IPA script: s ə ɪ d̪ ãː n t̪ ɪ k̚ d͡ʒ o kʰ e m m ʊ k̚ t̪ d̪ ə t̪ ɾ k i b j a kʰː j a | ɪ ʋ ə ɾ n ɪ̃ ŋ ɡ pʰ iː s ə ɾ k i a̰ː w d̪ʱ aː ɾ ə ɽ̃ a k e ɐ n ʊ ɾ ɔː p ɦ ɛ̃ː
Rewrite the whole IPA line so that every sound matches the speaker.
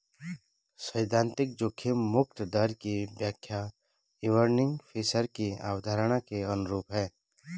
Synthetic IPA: s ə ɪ d̪ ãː n t̪ ɪ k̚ d͡ʒ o kʰ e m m ʊ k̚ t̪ d̪ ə ɾ k i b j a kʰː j a | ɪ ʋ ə ɾ n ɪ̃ ŋ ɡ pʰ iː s ə ɾ k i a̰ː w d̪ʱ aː ɾ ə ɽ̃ a k e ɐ n ʊ ɾ uː p ɦ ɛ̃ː